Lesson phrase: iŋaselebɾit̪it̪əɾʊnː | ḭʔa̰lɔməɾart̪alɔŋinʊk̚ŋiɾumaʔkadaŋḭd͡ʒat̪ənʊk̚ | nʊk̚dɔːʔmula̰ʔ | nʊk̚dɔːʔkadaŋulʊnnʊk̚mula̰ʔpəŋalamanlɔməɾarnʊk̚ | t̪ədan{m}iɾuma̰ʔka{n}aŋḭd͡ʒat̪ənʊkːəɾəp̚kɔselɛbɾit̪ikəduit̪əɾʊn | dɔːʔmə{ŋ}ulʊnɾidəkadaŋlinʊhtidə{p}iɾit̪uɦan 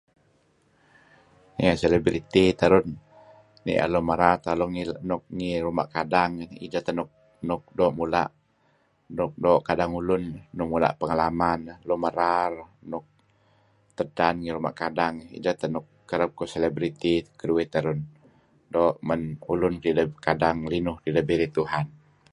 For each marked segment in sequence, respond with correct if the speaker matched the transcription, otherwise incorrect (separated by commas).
incorrect, incorrect, incorrect, incorrect